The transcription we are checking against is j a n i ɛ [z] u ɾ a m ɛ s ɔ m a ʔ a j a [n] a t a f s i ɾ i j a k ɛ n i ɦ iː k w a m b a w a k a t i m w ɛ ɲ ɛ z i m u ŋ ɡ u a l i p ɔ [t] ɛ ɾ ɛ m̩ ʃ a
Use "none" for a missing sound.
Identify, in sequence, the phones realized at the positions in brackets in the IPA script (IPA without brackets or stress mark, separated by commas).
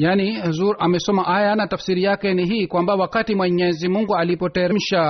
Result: z, n, t